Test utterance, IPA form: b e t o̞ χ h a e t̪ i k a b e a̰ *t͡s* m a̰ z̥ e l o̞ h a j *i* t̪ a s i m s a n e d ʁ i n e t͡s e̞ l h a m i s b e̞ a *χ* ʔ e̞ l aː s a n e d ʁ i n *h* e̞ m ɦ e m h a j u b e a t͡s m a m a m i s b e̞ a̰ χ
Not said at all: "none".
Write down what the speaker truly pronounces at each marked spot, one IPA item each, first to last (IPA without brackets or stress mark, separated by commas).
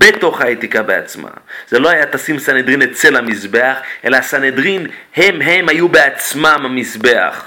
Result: t͡s, a, χ, h